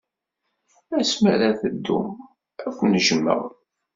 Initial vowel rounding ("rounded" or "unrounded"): unrounded